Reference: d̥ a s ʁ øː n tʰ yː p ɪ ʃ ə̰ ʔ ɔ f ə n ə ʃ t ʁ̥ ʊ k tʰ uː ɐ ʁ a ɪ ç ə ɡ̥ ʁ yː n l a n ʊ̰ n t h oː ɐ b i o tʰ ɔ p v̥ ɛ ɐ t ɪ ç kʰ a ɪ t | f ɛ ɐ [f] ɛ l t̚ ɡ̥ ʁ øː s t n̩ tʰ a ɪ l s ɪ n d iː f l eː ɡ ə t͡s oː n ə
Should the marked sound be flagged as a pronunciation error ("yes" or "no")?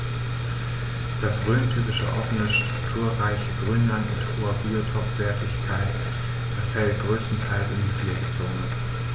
no